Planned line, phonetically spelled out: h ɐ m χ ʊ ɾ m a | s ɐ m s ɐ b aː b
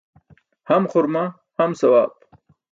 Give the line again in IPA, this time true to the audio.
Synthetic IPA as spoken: h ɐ m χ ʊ ɾ m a | h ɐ m s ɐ w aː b